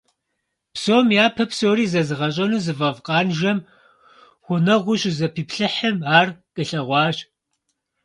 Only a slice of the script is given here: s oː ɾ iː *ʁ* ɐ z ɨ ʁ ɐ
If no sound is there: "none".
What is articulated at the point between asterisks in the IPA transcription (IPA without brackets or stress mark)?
z